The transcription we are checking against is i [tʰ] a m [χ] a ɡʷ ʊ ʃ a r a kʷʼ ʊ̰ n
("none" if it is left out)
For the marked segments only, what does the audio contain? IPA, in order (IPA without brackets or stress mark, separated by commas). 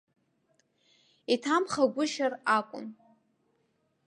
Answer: tʰ, χ